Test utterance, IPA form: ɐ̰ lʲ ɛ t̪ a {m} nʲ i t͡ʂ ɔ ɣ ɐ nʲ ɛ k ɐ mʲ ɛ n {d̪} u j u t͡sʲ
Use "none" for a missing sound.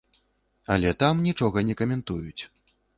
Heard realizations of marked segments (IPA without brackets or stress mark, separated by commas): m, t̪